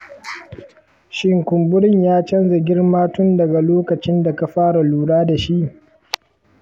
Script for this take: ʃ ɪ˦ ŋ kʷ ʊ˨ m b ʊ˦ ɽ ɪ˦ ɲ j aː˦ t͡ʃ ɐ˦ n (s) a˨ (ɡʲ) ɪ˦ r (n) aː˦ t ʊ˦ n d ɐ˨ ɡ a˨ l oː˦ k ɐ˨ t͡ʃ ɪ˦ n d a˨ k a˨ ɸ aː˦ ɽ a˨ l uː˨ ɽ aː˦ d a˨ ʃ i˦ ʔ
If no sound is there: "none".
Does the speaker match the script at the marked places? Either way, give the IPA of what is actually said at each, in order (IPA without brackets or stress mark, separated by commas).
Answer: z, ɡʲ, m